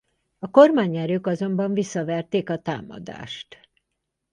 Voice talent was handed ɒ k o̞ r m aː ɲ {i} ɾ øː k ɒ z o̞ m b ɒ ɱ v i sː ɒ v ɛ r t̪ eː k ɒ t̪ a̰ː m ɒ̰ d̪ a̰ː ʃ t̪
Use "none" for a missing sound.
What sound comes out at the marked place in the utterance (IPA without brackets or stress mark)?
ɛ